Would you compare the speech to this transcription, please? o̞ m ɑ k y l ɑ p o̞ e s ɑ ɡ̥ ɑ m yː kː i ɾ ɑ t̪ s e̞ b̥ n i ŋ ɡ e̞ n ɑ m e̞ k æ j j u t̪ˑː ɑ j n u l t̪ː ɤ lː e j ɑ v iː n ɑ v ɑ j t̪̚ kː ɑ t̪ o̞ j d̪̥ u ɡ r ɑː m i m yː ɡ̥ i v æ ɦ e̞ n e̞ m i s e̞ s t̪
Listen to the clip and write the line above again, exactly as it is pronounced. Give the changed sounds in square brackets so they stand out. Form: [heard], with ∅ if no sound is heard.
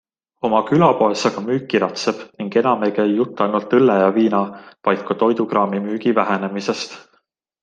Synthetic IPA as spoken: o̞ m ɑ k y l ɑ p o̞ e s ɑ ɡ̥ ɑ m yː kː i ɾ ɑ t̪ s e̞ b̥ n i ŋ ɡ e̞ n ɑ m e̞ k æ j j u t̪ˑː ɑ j n u l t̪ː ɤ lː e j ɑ v iː n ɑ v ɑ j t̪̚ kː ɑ t̪ o̞ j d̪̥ u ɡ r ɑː m i m yː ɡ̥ i v æ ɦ e̞ n e̞ m i s e̞ s t̪